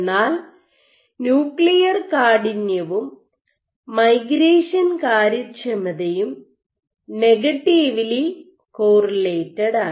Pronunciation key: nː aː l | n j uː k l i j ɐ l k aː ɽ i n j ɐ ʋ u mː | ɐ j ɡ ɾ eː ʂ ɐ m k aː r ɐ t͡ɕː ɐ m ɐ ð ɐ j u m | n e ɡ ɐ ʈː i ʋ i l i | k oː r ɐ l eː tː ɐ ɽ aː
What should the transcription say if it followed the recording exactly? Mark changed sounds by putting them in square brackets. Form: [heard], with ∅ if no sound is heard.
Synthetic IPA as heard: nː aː l | n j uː k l i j ɐ [r] k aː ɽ i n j ɐ ʋ u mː | ɐ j ɡ ɾ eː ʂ ɐ [n] k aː [ɾ] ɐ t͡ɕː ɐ m ɐ ð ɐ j u m | n e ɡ ɐ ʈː i ʋ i l i | k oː r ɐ l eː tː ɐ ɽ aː